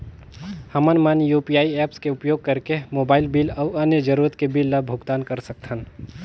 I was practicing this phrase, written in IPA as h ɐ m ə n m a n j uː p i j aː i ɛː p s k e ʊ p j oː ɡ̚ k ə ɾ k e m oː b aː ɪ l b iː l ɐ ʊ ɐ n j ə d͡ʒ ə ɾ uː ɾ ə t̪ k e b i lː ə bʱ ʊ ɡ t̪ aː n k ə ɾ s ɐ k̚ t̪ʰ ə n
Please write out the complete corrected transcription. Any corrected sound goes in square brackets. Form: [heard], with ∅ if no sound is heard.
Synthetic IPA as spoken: h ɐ m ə n m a n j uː p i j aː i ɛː p s k e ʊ p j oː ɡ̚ k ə ɾ k e m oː b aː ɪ l b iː l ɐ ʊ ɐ n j ə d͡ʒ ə ɾ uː ɾ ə t̪ k e b i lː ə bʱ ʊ ɡ t̪ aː n k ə ɾ s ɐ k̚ t̪ʰ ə n